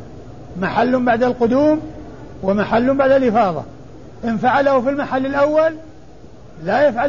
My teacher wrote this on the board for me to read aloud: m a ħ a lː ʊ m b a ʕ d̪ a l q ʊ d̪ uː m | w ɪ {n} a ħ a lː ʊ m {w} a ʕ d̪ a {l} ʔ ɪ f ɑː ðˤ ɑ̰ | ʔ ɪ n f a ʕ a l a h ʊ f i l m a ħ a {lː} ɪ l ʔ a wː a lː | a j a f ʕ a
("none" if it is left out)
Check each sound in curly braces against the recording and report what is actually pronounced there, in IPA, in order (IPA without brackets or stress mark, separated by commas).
m, b, l, lː